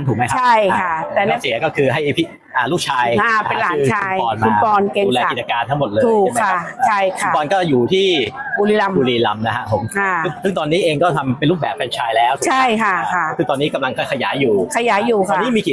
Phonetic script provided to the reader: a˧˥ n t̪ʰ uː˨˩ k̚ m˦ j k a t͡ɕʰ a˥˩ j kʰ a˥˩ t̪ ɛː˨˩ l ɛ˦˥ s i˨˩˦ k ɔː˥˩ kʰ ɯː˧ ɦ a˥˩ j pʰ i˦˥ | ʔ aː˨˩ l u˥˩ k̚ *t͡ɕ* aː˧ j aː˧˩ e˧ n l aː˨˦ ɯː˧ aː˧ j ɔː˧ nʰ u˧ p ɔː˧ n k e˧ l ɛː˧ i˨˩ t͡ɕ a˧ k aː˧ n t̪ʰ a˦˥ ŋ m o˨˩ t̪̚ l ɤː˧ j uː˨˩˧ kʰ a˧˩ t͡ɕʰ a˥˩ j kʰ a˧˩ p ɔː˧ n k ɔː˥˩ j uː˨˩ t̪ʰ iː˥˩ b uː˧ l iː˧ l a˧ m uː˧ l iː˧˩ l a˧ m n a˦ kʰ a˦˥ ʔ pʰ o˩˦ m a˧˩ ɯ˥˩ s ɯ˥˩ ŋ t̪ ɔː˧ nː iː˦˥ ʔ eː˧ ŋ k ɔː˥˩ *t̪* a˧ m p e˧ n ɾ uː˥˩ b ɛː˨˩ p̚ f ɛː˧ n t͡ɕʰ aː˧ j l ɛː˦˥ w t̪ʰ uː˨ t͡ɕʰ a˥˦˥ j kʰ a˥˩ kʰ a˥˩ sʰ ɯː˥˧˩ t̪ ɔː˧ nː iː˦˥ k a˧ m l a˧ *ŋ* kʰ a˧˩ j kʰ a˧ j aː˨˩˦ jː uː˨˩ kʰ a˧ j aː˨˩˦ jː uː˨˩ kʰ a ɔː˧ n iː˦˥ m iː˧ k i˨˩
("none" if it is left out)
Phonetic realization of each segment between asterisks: t͡ɕʰ, t̪ʰ, ŋ

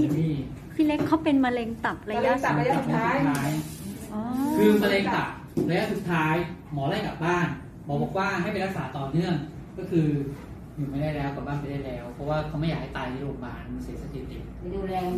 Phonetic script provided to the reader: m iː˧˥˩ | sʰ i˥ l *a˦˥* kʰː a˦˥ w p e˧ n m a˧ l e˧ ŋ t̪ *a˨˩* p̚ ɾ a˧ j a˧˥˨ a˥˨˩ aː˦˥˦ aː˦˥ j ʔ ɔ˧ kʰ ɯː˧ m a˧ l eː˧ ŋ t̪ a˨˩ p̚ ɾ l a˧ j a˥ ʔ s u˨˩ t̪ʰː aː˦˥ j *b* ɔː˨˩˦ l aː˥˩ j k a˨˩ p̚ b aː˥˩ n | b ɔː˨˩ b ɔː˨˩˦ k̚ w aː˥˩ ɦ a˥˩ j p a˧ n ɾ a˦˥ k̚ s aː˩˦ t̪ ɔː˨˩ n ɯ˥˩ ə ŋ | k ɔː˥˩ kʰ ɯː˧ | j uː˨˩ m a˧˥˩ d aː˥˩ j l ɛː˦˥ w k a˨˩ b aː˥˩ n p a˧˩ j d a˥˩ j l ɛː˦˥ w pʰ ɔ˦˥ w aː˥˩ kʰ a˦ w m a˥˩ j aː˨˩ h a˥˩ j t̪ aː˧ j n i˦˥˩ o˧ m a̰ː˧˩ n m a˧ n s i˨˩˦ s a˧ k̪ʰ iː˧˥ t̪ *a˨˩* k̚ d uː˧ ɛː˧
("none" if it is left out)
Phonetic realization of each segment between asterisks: e˦˥, a˨˩, m, i˨˩

